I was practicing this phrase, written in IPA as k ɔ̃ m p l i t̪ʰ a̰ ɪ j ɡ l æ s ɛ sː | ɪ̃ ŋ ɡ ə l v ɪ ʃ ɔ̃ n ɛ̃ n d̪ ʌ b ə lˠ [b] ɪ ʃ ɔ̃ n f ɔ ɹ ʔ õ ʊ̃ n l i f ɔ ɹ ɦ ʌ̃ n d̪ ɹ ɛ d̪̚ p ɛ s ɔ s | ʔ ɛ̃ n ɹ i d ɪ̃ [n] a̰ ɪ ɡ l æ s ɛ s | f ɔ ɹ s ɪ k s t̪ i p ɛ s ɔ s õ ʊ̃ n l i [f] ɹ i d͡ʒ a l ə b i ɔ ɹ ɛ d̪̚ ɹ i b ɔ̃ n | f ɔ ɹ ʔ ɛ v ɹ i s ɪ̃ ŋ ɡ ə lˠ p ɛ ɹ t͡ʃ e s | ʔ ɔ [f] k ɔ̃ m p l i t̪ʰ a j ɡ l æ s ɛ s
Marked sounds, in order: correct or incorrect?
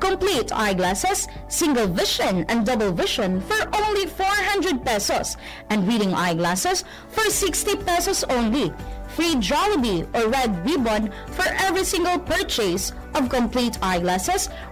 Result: incorrect, incorrect, correct, incorrect

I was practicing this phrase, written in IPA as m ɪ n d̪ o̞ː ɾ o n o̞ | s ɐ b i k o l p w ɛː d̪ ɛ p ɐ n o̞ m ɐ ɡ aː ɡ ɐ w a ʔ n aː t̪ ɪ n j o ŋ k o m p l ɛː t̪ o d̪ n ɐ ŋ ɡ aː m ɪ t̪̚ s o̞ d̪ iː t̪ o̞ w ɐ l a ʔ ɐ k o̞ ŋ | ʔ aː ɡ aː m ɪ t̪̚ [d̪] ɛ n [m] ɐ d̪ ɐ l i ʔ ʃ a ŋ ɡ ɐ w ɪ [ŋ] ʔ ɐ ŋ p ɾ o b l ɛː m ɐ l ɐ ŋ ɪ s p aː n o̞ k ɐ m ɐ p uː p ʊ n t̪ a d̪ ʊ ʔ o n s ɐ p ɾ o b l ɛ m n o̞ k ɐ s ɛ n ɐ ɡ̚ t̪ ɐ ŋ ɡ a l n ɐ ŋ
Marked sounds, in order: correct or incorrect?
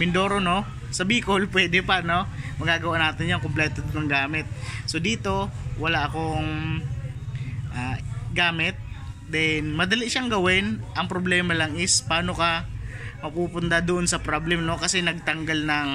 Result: correct, correct, incorrect

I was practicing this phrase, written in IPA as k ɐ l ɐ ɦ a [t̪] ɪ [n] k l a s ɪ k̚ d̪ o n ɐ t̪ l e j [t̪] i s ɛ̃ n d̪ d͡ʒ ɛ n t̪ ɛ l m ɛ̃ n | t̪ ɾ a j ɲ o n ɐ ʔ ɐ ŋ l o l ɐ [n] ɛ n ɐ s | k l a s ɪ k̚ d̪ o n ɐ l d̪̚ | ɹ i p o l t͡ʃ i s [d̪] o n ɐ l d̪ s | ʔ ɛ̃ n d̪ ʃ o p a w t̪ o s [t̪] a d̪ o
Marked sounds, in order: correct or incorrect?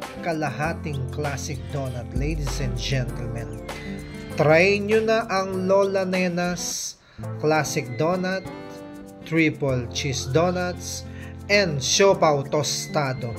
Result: correct, incorrect, incorrect, correct, correct, correct

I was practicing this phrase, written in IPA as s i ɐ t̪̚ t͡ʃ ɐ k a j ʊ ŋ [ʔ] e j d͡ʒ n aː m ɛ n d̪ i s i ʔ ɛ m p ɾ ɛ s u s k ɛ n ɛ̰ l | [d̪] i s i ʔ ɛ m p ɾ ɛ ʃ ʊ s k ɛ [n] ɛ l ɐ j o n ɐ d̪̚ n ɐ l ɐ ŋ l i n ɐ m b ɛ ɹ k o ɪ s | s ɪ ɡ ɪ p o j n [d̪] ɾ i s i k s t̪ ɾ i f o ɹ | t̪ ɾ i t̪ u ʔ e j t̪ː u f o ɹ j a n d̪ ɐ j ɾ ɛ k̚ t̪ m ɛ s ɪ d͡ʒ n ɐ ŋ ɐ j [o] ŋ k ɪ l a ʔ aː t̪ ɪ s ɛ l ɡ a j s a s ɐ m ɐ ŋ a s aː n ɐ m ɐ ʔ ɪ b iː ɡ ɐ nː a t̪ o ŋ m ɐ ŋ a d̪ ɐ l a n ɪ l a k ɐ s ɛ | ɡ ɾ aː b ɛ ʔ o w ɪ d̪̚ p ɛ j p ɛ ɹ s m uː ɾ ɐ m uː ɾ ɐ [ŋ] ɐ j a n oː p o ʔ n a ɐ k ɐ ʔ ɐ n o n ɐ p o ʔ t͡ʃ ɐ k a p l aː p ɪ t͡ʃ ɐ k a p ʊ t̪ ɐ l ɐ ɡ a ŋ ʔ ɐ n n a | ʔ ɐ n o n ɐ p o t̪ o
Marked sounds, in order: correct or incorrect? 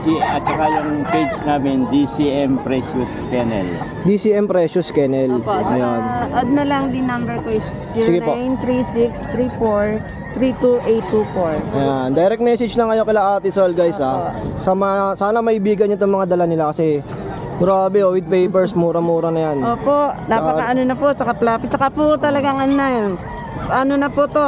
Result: incorrect, correct, correct, incorrect, correct, incorrect

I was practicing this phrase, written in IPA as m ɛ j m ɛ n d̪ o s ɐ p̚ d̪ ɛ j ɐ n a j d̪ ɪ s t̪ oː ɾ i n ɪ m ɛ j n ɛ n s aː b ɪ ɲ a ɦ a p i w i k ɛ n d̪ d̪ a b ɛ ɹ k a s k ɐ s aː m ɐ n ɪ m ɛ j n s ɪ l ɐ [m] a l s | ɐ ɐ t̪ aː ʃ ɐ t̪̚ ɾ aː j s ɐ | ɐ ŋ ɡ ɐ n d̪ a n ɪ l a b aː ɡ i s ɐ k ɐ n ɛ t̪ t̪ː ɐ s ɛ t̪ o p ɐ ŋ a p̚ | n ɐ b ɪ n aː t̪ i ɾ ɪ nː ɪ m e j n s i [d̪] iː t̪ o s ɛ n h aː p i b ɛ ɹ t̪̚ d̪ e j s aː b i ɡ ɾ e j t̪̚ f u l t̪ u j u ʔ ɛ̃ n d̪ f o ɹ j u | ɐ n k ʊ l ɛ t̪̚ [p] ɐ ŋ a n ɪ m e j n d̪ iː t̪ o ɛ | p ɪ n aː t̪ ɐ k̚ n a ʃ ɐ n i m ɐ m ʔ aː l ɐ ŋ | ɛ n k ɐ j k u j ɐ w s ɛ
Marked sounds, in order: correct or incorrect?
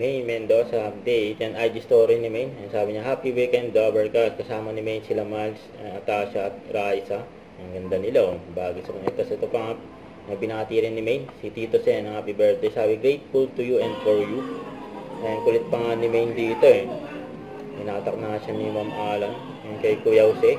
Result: correct, incorrect, correct

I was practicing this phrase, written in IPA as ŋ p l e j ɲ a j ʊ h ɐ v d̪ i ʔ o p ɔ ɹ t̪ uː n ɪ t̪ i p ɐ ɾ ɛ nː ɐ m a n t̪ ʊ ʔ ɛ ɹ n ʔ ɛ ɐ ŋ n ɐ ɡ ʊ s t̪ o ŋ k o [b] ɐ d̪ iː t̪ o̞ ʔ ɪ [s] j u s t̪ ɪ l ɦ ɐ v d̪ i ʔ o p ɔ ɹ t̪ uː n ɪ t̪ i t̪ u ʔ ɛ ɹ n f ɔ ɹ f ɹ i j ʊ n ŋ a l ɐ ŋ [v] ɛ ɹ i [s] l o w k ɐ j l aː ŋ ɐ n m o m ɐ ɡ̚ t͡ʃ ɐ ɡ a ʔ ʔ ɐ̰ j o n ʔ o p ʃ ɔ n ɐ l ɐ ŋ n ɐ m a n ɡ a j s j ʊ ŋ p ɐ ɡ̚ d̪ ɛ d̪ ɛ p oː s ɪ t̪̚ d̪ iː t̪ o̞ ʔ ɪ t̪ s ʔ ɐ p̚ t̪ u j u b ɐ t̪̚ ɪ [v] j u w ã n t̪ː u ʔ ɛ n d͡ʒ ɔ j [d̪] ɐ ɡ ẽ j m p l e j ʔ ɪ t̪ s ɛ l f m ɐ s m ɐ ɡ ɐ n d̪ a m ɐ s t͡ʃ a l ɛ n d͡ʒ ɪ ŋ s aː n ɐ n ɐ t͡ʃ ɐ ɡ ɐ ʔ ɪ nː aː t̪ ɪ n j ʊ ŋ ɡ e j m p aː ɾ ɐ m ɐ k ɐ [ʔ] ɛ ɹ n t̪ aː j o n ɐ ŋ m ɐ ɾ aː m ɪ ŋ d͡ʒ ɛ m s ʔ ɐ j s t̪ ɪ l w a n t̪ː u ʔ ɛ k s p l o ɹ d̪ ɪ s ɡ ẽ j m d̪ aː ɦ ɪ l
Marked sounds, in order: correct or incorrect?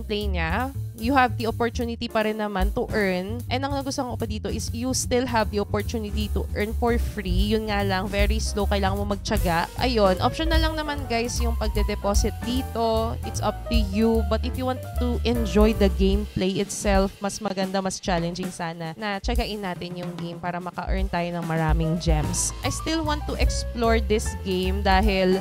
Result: incorrect, correct, correct, correct, incorrect, correct, correct

